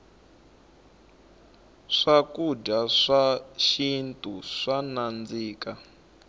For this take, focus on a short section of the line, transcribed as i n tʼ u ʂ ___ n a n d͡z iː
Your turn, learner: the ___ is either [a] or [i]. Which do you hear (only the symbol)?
a